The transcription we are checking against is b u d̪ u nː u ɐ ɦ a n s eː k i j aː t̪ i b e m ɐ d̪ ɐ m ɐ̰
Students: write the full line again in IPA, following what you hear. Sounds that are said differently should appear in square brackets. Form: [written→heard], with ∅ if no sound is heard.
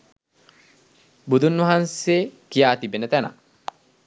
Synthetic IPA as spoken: b u d̪ u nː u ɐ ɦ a n s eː k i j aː t̪ i b e [m→n] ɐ [d̪→t̪] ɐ [m→n] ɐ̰